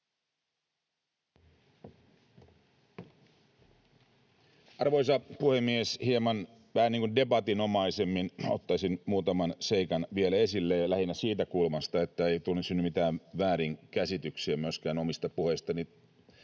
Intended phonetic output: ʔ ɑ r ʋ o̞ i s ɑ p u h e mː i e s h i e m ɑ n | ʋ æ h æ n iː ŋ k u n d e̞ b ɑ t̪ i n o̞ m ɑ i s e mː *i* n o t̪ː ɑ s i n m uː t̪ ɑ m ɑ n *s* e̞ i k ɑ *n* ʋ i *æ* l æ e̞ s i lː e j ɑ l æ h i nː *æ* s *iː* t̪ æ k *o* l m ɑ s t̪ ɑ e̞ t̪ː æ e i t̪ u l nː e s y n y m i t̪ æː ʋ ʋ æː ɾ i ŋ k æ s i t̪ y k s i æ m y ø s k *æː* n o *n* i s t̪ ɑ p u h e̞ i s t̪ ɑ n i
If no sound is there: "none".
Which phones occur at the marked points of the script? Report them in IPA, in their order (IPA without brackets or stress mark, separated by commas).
i, s, n, e, æ, iː, u, æː, m